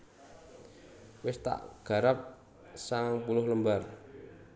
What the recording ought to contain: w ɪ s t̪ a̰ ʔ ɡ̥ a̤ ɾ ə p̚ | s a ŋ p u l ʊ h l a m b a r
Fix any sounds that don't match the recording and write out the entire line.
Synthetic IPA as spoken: w ɪ s t̪ a̰ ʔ ɡ̥ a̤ ɾ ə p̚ | s a ŋ p u l ʊ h l ə m b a r